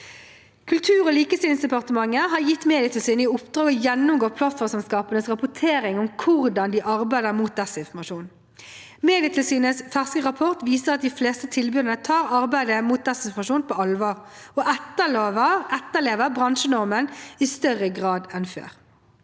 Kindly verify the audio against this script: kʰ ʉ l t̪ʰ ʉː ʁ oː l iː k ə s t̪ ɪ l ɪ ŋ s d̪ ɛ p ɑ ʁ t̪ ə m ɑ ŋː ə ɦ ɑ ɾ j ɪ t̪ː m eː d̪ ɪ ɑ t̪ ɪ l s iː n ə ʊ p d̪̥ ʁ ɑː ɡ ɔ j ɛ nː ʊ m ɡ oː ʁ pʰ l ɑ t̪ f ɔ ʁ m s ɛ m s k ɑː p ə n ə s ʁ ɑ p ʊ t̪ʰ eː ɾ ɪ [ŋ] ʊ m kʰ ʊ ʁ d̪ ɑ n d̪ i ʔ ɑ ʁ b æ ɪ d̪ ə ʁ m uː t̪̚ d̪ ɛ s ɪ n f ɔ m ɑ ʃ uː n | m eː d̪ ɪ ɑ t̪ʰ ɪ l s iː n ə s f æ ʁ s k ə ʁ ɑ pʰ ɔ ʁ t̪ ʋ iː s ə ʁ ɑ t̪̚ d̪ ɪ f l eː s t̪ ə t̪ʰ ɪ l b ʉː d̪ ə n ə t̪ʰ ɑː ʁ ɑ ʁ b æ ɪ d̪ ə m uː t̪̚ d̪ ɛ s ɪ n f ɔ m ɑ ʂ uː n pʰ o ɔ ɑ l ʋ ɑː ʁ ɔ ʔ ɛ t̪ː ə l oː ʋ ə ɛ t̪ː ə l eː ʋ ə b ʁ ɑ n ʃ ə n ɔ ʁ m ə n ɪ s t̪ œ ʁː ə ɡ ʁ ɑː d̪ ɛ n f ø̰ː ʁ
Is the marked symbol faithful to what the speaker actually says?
yes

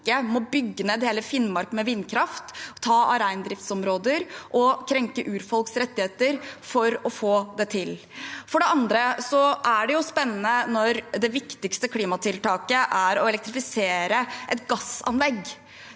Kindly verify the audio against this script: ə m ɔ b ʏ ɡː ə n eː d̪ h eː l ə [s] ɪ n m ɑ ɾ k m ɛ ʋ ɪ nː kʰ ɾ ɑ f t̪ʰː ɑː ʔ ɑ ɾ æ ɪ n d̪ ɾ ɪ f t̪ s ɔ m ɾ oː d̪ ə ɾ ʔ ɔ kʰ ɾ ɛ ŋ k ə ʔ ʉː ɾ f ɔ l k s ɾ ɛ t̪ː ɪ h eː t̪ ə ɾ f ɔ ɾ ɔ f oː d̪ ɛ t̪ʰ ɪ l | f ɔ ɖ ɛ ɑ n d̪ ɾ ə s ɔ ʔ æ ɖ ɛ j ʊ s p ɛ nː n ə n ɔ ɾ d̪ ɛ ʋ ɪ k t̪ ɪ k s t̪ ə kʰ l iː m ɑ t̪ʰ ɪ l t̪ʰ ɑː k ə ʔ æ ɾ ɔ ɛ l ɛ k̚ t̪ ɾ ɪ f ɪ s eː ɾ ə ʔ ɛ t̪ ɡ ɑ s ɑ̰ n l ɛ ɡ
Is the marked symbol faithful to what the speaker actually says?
no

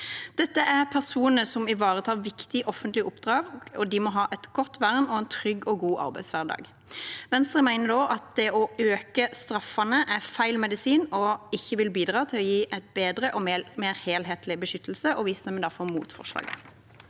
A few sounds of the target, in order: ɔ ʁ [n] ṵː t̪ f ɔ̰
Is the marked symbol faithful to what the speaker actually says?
no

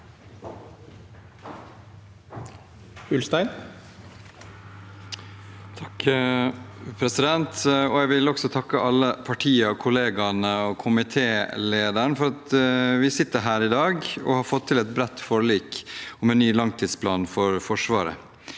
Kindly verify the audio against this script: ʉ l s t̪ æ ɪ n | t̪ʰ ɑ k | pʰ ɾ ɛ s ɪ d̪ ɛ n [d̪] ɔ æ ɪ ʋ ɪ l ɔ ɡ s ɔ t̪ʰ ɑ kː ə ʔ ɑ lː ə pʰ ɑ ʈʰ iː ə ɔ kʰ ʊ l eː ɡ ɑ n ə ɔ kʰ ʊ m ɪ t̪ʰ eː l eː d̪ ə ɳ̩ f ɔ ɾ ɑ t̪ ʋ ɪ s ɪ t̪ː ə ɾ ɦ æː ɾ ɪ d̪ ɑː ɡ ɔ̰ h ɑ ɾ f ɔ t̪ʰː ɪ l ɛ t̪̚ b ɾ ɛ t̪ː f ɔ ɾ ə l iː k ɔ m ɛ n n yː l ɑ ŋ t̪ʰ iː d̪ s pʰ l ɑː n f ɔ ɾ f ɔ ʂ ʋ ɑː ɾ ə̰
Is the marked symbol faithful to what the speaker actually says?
no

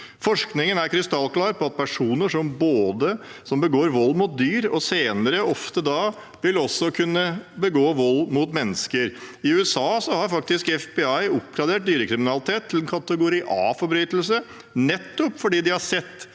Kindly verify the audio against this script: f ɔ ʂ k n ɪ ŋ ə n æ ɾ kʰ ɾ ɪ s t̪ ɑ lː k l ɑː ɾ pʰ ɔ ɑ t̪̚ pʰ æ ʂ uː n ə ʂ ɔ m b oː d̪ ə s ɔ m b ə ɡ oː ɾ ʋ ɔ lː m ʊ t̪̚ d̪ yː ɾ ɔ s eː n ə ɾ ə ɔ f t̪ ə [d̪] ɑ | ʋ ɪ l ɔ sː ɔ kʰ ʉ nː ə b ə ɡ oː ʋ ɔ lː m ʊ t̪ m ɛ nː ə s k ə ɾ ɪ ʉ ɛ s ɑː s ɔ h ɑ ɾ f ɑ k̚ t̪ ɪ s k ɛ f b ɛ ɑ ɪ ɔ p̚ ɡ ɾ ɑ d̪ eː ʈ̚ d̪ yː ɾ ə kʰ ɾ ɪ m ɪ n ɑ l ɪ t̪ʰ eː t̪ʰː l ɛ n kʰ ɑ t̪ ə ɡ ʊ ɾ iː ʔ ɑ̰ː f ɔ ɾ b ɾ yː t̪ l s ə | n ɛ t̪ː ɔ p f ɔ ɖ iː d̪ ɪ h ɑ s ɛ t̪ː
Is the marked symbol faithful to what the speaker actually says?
yes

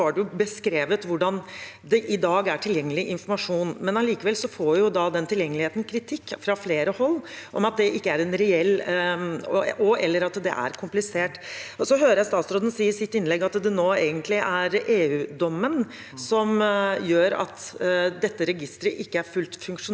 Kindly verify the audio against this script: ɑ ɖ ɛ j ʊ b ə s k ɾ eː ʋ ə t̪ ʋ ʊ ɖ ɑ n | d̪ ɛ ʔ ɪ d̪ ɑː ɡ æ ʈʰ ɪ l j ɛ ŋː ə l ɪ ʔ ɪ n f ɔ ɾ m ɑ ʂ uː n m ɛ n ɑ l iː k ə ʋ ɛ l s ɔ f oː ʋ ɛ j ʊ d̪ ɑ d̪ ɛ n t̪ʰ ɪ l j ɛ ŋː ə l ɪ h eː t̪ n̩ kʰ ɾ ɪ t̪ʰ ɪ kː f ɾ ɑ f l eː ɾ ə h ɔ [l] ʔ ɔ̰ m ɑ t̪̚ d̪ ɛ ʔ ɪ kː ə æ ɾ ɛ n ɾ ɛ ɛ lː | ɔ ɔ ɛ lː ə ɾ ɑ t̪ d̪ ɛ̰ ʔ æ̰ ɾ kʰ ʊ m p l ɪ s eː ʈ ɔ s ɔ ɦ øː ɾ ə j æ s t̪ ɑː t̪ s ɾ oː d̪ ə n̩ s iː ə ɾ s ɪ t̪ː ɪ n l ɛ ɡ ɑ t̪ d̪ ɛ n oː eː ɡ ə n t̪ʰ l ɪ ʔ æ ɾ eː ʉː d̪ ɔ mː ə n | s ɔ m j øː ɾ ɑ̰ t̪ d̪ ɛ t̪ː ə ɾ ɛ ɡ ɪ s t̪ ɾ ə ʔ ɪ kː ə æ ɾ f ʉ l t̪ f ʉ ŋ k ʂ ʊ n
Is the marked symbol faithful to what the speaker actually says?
no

